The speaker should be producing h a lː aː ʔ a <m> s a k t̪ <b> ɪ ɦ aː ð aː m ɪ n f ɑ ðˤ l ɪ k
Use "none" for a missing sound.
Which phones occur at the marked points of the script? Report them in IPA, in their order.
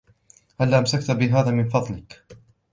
m, b

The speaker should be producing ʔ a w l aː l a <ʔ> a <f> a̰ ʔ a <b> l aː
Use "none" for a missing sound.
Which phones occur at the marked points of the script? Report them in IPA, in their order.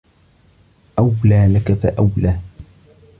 k, f, w

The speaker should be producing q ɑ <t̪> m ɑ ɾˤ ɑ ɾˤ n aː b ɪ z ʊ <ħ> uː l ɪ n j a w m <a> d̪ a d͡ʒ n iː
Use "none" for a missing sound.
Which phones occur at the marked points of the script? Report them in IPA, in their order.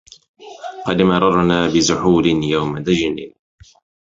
d̪, ħ, a

